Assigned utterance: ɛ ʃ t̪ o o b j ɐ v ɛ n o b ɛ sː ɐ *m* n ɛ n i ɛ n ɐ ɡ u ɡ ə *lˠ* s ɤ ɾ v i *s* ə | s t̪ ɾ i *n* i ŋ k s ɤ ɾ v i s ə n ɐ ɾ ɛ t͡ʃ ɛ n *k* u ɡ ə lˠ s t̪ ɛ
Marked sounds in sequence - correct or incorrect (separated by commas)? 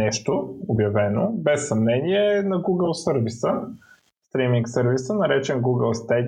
correct, correct, correct, incorrect, incorrect